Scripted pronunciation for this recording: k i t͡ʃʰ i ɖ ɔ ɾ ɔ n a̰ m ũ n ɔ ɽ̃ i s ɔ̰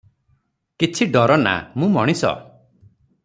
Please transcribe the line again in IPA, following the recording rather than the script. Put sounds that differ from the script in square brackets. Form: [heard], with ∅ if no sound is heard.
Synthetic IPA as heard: k i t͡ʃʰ i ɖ ɔ ɾ ɔ n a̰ m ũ [m] ɔ ɽ̃ i s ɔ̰